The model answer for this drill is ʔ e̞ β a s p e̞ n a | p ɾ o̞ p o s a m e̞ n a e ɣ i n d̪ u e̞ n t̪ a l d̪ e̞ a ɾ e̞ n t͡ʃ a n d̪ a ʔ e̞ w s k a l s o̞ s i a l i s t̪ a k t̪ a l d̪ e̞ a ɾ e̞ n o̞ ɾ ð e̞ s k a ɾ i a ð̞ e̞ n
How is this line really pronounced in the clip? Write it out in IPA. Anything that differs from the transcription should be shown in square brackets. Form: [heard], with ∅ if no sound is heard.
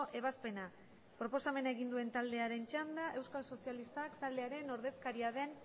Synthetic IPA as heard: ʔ e̞ β a s p e̞ n a | p ɾ o̞ p o s a m e̞ n a e ɣ i n d̪ u e̞ n t̪ a l d̪ e̞ a ɾ e̞ n t͡ʃ a n d̪ a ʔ e̞ w s k a l s o̞ s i a l i s t̪ a k t̪ a l d̪ e̞ a ɾ e̞ n o̞ ɾ ð e̞ s k a ɾ i a ð̞ e̞ n